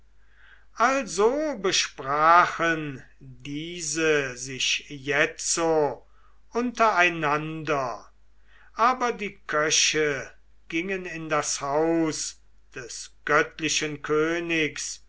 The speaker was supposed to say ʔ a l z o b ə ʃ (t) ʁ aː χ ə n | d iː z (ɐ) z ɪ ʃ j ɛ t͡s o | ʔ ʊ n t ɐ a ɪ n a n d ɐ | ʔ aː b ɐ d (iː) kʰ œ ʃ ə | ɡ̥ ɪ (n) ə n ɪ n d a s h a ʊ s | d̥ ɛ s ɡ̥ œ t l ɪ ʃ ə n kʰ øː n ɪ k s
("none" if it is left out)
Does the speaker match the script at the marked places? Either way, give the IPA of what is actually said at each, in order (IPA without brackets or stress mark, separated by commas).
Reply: p, ə, iː, ŋ